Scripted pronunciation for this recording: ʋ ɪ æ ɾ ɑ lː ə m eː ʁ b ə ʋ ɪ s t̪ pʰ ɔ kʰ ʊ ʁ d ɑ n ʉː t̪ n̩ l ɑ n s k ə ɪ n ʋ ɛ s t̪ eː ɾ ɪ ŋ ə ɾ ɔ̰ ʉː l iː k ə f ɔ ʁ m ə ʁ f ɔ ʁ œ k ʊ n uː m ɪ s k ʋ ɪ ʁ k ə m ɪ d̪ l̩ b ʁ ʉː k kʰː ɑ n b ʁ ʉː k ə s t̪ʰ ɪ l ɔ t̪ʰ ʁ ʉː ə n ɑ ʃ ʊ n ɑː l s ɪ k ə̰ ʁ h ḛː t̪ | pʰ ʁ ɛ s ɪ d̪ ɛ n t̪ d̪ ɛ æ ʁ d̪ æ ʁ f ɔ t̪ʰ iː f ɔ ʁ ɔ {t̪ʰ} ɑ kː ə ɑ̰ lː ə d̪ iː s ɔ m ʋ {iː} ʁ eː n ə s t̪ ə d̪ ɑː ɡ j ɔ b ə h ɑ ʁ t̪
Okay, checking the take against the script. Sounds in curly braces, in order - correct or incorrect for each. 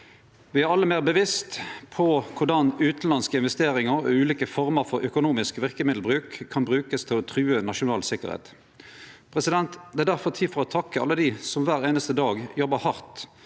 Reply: correct, incorrect

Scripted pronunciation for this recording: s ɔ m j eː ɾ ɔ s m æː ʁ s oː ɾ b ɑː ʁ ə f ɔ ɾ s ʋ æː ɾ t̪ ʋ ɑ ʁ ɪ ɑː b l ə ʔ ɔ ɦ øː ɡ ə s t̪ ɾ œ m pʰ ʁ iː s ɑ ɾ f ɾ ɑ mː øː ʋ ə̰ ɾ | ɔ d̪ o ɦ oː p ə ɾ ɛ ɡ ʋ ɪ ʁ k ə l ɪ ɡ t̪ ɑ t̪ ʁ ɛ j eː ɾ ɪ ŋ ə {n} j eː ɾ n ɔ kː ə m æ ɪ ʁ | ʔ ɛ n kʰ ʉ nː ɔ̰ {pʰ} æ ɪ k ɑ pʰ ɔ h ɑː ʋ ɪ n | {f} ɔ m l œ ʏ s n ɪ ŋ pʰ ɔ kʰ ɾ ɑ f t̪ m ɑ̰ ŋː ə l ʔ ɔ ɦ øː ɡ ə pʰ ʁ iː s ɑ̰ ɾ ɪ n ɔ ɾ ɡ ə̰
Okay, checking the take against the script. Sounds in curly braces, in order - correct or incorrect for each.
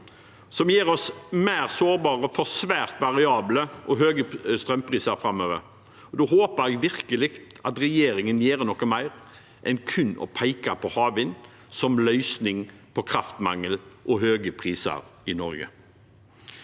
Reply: correct, correct, incorrect

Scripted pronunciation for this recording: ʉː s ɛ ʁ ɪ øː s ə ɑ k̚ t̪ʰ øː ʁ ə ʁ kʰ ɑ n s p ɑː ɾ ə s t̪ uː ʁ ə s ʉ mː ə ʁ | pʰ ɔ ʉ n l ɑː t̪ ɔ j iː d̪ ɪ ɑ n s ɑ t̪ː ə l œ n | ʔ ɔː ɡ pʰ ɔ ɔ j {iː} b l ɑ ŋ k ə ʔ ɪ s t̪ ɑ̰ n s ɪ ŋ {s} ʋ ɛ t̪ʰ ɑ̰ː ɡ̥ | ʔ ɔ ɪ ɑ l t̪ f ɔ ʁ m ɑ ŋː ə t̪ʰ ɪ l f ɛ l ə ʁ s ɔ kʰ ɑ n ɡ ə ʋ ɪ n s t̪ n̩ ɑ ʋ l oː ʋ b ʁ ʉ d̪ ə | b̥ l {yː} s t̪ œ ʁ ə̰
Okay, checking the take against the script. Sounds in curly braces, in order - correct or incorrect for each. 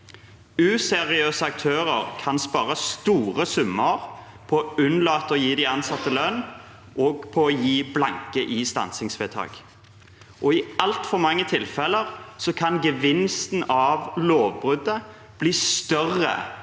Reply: correct, correct, incorrect

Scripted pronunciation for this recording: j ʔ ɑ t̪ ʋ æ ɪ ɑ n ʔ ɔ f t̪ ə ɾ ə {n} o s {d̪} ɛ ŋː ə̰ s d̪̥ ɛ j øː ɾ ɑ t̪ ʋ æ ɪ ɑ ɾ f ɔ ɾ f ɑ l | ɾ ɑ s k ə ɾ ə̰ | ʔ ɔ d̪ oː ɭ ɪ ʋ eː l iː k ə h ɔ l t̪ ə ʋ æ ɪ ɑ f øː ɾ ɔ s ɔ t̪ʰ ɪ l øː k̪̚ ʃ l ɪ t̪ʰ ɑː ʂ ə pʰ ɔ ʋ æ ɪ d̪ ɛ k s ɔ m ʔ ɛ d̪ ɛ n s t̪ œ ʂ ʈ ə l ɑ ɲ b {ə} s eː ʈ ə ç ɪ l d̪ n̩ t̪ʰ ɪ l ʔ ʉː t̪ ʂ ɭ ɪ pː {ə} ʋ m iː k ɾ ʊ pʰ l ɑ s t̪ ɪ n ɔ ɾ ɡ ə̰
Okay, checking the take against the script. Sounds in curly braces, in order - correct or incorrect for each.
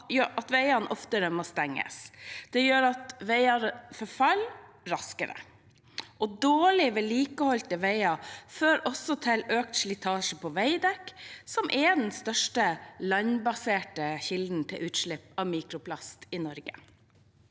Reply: incorrect, incorrect, incorrect, incorrect

